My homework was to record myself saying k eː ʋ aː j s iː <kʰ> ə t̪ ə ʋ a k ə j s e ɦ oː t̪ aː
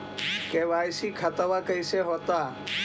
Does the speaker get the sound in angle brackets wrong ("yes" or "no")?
no